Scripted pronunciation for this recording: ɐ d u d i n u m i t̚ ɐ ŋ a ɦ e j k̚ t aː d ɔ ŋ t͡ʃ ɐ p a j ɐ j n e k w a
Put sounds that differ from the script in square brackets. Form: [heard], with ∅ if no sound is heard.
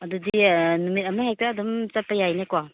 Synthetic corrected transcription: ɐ d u d i n u m i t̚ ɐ [m] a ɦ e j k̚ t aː d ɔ [m] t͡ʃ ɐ p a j [a] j n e k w a